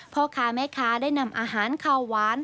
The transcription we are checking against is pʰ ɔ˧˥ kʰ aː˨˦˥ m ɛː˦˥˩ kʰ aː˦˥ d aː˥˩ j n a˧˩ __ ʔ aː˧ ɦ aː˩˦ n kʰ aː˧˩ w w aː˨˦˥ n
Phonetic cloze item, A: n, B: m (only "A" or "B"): B